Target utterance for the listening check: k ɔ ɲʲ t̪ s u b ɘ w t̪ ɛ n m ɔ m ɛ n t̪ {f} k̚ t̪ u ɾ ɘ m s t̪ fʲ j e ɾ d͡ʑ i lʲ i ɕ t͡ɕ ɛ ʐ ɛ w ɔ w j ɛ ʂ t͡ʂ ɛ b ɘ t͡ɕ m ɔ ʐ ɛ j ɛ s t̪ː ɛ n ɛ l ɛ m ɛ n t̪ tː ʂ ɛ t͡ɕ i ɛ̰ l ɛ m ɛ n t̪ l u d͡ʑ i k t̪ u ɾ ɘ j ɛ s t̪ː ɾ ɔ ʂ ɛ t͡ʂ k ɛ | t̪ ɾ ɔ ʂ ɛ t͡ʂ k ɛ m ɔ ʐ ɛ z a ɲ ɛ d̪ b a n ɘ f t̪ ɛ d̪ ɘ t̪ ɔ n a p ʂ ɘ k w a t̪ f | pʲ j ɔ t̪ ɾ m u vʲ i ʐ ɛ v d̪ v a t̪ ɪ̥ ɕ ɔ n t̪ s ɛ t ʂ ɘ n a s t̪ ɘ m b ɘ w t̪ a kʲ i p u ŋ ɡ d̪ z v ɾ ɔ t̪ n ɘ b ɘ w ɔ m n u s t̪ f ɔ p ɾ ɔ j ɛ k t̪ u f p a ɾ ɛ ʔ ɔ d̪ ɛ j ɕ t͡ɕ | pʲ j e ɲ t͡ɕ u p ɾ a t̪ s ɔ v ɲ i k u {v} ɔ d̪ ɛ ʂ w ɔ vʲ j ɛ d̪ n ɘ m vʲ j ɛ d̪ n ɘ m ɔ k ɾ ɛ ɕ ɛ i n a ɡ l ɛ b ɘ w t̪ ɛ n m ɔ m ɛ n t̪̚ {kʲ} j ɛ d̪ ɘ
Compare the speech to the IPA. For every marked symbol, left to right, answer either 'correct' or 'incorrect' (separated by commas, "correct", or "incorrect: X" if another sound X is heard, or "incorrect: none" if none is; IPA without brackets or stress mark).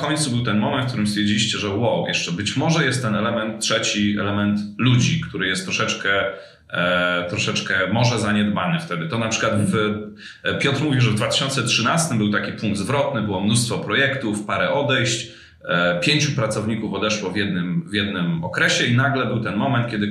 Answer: correct, incorrect: f, correct